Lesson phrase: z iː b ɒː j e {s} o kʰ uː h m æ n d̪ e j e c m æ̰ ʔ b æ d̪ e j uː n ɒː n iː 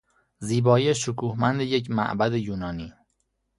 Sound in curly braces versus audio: incorrect: ʃ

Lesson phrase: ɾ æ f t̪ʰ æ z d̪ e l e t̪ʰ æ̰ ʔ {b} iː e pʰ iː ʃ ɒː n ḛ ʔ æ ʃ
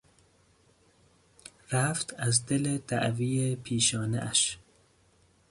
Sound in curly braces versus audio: incorrect: v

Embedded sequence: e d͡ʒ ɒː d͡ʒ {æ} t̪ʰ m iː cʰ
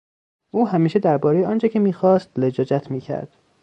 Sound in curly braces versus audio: correct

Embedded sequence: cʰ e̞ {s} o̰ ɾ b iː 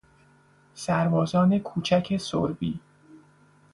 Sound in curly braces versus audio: correct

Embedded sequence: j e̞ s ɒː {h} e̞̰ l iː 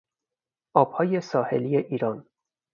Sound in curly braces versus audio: correct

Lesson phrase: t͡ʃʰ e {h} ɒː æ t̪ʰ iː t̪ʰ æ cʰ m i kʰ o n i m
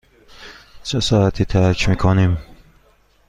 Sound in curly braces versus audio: incorrect: s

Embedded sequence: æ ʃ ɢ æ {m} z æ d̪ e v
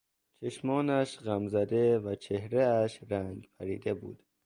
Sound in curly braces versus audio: correct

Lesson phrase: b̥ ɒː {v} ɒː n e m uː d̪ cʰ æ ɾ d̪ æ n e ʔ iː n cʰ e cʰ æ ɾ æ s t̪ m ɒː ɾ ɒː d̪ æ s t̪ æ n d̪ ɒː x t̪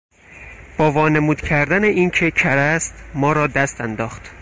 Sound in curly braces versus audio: correct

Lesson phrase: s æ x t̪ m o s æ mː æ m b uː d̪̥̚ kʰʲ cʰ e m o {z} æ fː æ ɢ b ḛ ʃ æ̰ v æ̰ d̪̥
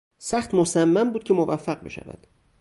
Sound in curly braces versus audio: incorrect: v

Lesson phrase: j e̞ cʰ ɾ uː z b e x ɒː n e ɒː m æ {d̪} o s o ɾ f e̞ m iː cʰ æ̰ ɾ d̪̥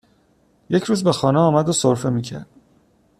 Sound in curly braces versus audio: correct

